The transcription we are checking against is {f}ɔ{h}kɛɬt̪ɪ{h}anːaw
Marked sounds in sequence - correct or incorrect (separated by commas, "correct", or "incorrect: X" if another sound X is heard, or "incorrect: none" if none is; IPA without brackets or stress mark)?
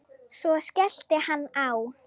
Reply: incorrect: s, incorrect: s, correct